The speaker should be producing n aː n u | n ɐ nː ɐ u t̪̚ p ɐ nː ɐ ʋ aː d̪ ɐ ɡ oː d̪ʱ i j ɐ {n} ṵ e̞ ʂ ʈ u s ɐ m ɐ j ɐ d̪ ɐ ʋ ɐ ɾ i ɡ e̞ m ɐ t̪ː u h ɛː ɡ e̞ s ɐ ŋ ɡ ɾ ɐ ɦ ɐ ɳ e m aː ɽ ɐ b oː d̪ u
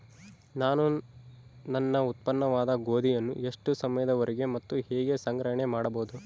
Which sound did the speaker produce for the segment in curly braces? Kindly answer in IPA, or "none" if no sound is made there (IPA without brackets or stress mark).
nː